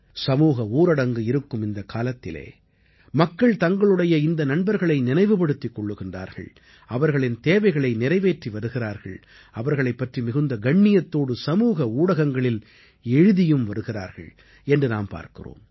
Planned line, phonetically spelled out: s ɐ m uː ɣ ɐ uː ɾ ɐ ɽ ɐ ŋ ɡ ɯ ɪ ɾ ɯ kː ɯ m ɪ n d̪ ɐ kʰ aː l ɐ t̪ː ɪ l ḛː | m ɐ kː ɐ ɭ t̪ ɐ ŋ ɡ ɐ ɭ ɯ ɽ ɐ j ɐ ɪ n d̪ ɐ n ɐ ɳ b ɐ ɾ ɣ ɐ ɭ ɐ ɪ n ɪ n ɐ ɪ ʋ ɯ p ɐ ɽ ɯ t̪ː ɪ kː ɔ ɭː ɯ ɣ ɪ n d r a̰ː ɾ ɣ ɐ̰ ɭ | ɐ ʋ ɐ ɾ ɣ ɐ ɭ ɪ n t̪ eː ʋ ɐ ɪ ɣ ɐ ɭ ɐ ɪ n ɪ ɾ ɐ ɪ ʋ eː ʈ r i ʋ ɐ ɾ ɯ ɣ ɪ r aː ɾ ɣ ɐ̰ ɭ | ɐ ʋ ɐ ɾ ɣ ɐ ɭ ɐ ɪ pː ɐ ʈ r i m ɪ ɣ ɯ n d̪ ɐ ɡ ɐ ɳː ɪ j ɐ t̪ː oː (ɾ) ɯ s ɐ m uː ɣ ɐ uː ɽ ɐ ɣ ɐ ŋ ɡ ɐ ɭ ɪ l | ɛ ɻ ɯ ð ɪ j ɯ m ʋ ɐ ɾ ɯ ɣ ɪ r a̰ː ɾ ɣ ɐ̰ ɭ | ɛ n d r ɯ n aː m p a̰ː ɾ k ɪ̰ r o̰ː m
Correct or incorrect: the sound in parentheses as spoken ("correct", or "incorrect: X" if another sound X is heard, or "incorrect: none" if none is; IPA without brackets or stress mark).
incorrect: ɽ